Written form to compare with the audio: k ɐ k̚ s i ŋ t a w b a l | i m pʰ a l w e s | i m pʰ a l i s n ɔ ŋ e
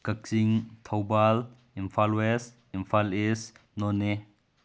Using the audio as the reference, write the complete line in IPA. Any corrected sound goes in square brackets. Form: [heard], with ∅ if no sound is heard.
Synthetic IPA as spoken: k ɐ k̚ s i ŋ [tʰ] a w b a l | i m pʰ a l w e s | i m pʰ a l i s n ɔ [n] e